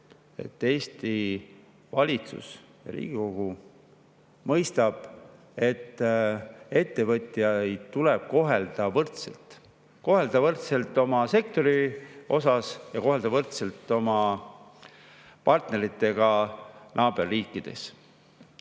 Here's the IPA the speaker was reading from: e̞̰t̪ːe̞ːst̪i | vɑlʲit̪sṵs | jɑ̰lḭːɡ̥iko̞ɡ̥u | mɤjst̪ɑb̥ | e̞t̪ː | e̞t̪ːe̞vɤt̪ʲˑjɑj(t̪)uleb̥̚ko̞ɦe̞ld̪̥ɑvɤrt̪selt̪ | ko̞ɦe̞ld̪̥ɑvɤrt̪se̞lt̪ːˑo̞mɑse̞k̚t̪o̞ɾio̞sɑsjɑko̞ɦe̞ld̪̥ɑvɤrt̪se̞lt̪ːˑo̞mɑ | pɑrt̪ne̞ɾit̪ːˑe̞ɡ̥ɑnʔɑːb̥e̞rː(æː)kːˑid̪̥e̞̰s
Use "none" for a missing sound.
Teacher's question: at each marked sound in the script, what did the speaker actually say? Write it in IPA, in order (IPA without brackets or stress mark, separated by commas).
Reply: t̪, iː